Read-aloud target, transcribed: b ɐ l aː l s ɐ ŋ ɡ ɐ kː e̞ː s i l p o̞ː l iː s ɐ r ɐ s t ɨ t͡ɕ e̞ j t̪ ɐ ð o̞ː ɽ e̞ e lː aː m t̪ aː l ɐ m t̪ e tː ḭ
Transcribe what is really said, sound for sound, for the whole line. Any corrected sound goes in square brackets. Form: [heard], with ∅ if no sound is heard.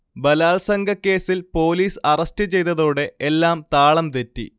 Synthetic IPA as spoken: b ɐ l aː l s ɐ ŋ ɡ ɐ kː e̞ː s i l p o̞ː l iː s ɐ r ɐ s t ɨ t͡ɕ e̞ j t̪ ɐ ð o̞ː ɽ e̞ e lː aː m t̪ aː [ɭ] ɐ m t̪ e tː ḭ